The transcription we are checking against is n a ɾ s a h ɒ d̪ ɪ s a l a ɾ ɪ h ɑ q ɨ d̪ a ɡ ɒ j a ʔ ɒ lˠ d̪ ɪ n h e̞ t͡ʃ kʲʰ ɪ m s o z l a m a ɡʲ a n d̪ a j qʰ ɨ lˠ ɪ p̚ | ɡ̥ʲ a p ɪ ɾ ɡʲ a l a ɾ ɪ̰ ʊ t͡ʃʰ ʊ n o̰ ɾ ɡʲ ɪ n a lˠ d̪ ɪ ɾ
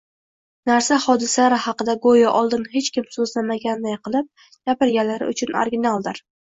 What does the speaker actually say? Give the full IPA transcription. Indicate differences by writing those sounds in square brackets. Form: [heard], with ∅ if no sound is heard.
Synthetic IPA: n a ɾ s a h ɒ d̪ ɪ s a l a ɾ ɪ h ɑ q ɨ d̪ a ɡ [o] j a ʔ ɒ lˠ d̪ ɪ n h e̞ t͡ʃ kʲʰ ɪ m s o z l a m a ɡʲ a n d̪ a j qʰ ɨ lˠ ɪ p̚ | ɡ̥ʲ a p ɪ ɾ ɡʲ a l a ɾ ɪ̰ ʊ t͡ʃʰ ʊ n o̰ ɾ ɡʲ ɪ n a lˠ d̪ ɪ ɾ